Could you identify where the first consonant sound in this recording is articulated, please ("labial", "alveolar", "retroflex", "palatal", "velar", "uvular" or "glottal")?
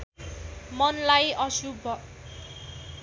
labial